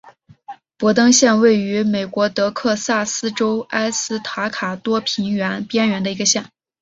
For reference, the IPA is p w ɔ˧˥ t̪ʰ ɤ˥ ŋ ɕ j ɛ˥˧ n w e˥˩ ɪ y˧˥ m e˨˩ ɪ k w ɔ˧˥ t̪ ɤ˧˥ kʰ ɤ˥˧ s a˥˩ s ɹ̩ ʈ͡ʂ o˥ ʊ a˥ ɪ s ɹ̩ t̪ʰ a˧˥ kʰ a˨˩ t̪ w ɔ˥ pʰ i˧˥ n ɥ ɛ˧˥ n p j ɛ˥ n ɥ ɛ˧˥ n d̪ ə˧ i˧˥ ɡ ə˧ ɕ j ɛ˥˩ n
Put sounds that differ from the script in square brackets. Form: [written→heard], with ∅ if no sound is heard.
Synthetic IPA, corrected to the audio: p w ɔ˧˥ [t̪ʰ→t̪] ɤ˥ ŋ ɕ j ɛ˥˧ n w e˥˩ ɪ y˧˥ m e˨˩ ɪ k w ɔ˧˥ t̪ ɤ˧˥ kʰ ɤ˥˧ s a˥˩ s ɹ̩ ʈ͡ʂ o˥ ʊ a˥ ɪ s ɹ̩ t̪ʰ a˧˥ kʰ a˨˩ t̪ w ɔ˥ pʰ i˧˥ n ɥ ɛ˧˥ n p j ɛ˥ n ɥ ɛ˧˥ n d̪ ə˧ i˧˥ ɡ ə˧ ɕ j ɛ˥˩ n